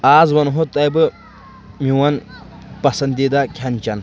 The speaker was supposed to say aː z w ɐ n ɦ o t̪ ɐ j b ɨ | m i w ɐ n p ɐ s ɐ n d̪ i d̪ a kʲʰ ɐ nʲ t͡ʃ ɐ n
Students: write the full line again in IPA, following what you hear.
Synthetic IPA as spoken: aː z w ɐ n ɦ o t̪ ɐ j b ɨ | m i w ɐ n p ɐ s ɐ n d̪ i d̪ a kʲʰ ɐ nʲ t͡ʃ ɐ n